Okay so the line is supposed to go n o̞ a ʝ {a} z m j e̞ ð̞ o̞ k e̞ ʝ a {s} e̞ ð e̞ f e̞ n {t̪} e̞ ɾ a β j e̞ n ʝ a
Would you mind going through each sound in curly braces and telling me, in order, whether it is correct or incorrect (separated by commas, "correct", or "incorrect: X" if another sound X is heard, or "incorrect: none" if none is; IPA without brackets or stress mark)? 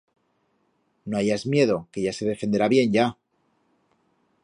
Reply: correct, correct, incorrect: d̪